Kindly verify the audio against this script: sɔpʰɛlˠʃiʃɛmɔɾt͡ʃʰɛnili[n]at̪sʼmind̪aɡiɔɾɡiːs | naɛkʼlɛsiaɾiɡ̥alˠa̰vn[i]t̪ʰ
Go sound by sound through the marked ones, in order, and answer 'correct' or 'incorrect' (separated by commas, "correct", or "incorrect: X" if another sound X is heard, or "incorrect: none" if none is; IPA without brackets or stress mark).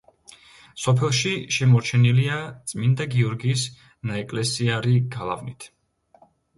incorrect: none, correct